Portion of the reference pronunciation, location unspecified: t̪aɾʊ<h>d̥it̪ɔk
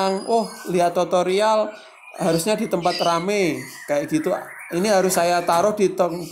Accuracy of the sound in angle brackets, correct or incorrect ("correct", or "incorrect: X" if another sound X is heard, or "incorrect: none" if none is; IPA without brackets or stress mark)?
correct